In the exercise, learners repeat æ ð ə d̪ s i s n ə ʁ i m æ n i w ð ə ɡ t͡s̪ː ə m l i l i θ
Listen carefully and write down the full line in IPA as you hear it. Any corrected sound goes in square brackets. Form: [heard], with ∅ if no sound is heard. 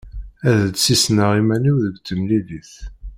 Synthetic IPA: æ ð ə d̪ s i s n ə ʁ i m æ n i w ð ə ɡ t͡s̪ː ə m l i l i θ

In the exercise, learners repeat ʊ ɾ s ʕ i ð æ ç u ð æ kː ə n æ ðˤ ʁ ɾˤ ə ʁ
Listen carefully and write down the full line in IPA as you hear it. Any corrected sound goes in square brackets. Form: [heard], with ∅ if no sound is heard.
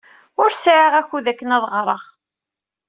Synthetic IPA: ʊ ɾ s ʕ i [ʁ] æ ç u ð æ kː ə n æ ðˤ ʁ ɾˤ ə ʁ

